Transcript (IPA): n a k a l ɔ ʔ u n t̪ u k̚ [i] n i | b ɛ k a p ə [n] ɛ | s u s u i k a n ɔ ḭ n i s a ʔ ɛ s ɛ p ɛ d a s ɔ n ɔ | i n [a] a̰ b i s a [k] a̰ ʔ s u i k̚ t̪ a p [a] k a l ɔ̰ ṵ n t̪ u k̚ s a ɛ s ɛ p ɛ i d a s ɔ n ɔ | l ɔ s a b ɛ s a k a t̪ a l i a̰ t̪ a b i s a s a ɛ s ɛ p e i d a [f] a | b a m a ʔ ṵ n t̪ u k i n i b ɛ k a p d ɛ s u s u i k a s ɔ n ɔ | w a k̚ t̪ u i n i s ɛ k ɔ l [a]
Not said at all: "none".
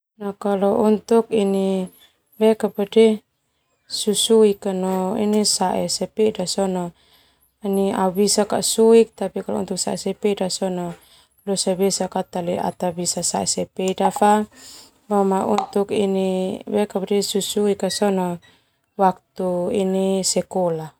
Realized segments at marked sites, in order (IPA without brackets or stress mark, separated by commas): i, d, i, k, i, f, a